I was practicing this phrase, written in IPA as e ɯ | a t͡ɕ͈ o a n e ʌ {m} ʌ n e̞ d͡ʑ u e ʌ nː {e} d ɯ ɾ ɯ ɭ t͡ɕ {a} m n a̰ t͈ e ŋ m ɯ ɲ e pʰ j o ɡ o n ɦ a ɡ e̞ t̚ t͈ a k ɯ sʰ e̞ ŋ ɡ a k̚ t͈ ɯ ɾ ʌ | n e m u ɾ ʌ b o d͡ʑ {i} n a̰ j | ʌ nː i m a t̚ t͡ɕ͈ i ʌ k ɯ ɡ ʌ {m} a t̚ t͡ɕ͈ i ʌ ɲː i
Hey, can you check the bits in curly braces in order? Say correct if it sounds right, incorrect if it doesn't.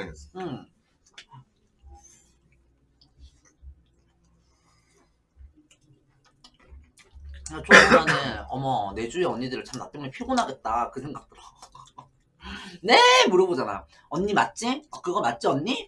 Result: correct, incorrect: i, correct, incorrect: a, correct

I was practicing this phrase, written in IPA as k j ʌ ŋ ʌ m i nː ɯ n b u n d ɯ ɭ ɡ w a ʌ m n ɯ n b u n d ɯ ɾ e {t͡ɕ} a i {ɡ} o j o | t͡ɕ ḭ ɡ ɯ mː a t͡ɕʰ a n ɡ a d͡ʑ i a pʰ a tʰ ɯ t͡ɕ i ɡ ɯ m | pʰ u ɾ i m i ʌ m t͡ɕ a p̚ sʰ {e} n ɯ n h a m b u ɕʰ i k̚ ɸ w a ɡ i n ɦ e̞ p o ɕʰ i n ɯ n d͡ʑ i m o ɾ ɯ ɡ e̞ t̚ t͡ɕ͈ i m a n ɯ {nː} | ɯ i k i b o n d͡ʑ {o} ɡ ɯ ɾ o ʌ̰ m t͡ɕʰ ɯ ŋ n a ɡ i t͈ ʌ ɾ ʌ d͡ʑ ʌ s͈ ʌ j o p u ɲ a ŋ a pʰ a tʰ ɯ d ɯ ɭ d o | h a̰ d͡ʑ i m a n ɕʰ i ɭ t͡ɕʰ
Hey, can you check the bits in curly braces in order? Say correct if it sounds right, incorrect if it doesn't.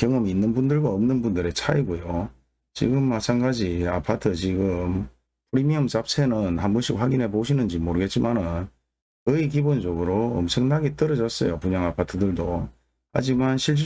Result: incorrect: t͡ɕʰ, correct, correct, incorrect: n, correct

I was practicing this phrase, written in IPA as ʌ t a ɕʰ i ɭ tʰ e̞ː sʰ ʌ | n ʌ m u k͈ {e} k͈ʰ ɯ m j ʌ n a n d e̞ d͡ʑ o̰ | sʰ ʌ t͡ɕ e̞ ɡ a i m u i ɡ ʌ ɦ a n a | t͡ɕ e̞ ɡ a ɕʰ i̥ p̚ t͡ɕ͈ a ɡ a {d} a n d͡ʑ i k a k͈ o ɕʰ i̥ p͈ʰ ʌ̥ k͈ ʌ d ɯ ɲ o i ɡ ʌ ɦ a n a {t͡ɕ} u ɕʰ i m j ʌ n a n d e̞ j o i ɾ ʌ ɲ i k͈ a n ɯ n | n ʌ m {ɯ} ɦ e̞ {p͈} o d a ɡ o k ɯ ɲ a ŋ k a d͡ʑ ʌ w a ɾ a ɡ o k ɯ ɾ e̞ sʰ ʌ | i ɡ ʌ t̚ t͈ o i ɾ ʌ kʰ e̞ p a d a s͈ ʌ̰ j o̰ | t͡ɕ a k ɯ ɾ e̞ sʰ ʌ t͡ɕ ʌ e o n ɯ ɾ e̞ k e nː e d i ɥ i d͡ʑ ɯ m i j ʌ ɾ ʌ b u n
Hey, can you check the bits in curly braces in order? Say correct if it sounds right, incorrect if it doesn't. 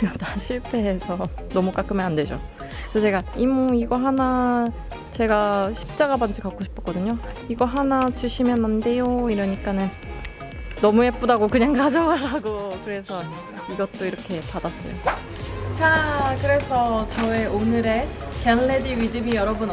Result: incorrect: a, incorrect: b, correct, incorrect: u, correct

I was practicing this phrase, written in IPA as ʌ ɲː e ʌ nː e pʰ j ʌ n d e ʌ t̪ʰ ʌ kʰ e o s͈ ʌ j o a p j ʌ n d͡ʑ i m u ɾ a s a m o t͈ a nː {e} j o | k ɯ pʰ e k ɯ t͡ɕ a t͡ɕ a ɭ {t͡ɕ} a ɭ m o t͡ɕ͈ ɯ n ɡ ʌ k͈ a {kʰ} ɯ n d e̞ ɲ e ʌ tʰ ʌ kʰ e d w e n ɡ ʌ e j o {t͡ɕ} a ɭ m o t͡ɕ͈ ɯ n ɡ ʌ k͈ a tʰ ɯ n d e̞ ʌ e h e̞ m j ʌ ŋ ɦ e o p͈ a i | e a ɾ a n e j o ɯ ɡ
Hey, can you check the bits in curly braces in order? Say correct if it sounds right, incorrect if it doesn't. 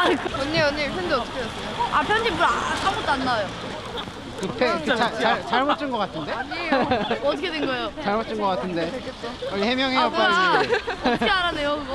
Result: incorrect: a, correct, incorrect: tʰ, correct

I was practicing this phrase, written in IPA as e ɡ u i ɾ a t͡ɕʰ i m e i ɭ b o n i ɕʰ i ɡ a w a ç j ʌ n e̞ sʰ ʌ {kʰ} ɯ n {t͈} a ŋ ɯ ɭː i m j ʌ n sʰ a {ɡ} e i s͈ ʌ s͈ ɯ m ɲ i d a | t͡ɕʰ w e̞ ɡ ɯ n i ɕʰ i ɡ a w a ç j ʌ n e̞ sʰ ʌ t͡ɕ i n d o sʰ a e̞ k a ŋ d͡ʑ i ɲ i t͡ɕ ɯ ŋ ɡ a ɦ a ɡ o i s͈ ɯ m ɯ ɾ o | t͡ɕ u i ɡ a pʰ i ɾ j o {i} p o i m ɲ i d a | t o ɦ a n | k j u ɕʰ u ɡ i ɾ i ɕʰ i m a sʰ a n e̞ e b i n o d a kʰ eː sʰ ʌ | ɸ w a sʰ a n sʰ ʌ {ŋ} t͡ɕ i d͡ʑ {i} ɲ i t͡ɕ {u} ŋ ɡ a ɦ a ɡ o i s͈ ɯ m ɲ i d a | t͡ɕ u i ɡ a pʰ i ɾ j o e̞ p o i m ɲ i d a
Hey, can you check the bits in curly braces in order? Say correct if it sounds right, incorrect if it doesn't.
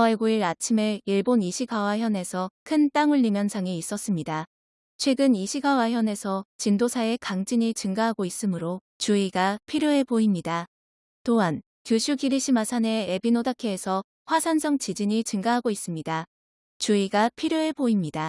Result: correct, correct, incorrect: ŋ, incorrect: e, correct, correct, incorrect: ɯ

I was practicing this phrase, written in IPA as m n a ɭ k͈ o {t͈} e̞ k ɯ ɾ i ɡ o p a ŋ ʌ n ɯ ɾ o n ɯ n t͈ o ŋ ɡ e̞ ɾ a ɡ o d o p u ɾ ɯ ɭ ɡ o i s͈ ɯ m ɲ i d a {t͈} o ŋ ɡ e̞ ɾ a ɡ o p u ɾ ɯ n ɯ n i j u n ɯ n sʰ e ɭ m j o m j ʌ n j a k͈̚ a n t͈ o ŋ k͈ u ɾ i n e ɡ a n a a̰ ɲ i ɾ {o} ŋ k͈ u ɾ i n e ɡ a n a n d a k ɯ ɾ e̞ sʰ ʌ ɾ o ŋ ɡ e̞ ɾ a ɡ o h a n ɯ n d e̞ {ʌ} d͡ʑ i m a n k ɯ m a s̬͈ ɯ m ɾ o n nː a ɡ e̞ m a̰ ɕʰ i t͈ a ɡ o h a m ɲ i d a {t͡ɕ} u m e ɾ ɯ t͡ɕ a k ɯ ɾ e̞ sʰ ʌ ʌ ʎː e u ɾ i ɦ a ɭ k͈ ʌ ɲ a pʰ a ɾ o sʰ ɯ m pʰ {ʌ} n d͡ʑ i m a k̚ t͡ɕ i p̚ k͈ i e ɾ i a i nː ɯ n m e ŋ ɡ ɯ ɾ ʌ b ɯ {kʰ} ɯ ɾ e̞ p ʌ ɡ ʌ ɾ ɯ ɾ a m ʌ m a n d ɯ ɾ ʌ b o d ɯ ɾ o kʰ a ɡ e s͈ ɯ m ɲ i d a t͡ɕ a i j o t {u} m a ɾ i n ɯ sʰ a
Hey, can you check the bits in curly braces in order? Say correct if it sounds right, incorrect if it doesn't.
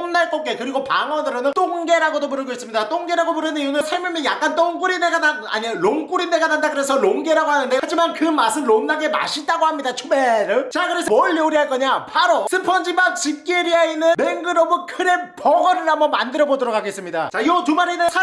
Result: incorrect: k͈, correct, correct, incorrect: a, incorrect: t͡ɕʰ, correct, correct, correct

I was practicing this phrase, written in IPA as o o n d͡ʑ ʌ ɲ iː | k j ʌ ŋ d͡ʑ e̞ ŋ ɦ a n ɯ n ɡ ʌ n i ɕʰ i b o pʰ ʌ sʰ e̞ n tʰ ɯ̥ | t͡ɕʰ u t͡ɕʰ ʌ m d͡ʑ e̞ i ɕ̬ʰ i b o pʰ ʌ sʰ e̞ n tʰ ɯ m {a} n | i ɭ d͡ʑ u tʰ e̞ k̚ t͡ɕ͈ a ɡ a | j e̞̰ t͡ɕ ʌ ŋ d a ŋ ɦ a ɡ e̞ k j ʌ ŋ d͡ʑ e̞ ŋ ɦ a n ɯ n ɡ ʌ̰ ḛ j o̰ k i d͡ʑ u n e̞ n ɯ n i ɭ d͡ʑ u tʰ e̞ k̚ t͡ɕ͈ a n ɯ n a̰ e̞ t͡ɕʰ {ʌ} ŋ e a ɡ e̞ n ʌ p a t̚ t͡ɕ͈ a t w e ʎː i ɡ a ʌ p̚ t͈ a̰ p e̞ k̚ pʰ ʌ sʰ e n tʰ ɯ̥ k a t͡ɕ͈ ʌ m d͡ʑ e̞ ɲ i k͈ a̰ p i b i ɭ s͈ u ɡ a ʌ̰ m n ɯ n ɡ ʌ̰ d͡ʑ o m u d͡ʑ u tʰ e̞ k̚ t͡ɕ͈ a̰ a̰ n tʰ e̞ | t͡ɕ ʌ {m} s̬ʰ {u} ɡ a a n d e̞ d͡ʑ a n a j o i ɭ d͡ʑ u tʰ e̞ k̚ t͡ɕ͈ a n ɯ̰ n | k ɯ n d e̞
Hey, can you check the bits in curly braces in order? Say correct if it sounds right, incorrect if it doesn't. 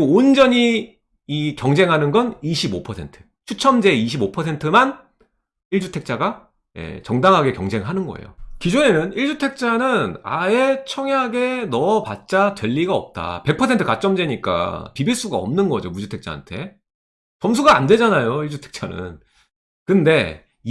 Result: correct, correct, correct, correct

